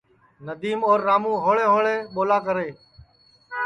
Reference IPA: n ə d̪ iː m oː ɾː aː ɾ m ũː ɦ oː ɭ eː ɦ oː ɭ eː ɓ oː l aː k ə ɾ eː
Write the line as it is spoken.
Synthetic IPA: n ə d̪ iː m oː ɾː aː m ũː ɦ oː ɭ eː ɦ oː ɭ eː ɓ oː l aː k ə ɾ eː